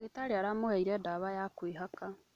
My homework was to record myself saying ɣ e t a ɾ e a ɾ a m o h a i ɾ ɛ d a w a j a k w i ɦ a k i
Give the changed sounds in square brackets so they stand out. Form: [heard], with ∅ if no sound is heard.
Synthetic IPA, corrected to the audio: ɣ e t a ɾ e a ɾ a m o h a i ɾ ɛ d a [β] a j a k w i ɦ a k [a]